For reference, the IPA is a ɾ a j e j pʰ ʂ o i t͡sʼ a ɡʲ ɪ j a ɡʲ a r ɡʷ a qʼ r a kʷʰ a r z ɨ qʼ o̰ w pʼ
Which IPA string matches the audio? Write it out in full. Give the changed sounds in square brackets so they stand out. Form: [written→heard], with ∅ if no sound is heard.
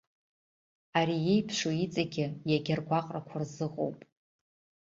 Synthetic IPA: a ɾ [a→i] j e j pʰ ʂ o i t͡sʼ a ɡʲ ɪ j a ɡʲ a r ɡʷ a qʼ r a kʷʰ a r z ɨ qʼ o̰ w pʼ